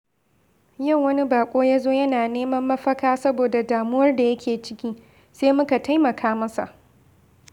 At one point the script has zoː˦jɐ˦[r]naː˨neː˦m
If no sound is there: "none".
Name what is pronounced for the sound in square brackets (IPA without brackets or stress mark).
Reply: none